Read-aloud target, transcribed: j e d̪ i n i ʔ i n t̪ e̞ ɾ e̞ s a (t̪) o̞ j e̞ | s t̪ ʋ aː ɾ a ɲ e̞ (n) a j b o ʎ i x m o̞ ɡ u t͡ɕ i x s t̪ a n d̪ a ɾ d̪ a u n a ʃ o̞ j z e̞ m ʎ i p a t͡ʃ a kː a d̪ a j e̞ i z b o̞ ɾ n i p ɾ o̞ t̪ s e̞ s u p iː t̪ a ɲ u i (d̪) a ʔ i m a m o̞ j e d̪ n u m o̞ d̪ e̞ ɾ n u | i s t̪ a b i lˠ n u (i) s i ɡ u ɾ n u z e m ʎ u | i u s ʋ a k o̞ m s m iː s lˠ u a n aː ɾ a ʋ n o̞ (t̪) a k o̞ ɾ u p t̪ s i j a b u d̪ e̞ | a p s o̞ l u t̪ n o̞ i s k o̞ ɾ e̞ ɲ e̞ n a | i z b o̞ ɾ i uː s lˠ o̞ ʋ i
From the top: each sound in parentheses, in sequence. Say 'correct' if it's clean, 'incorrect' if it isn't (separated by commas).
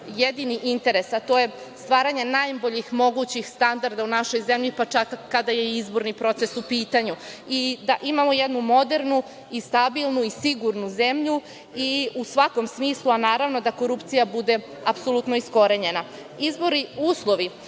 correct, correct, correct, correct, incorrect